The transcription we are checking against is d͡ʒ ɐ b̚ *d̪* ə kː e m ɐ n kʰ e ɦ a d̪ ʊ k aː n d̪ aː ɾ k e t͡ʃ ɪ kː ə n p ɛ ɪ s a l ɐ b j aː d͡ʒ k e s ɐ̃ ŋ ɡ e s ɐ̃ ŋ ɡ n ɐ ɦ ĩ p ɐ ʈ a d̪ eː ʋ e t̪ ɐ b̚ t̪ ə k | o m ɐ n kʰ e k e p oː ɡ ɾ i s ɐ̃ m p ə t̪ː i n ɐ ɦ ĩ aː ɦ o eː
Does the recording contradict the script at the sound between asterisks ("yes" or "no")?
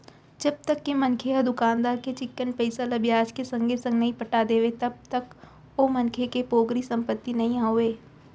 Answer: yes